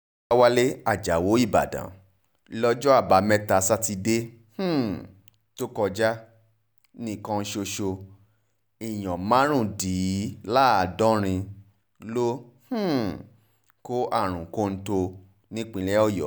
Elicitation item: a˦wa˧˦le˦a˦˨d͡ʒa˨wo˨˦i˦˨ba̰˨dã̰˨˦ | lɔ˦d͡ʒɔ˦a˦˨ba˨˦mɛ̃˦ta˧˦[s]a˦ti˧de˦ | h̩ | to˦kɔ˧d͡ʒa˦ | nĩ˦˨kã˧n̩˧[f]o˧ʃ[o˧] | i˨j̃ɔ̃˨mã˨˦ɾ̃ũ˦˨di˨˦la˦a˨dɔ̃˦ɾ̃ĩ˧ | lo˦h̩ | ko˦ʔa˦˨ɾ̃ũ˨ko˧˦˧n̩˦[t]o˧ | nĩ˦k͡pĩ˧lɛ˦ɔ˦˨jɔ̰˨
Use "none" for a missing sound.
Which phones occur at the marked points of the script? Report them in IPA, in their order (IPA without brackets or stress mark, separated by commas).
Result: s, ʃ, o˧, t